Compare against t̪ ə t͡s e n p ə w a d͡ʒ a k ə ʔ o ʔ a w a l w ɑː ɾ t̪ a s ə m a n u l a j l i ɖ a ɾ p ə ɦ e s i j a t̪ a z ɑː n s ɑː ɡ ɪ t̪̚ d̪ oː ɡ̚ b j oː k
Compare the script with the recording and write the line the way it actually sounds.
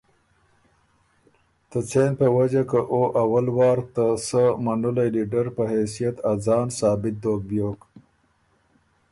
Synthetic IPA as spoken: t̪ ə t͡s e n p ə w a d͡ʒ a k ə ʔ o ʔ a w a l w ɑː ɾ t̪ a s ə m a n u l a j l i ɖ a ɾ p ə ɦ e s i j a t̪ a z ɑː n s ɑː b ɪ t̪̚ d̪ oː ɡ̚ b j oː k